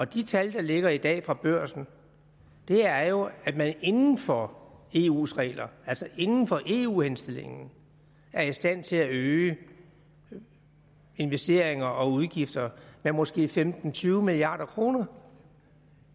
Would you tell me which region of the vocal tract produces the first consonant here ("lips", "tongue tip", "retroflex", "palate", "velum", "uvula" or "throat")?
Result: tongue tip